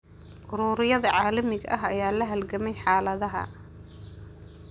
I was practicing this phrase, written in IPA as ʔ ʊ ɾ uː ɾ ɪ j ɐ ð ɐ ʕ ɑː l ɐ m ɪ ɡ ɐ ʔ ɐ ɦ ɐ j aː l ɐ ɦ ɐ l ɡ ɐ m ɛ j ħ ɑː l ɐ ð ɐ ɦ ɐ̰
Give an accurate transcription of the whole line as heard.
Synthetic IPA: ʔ ʊ ɾ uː ɾ ɪ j ɐ ð ɐ ʕ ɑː l ɐ m ɪ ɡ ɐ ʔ ɐ ɦ ɐ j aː l ɐ ɦ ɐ l ɡ ɐ m ɛ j ħ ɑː l ɐ ð ɐ ɦ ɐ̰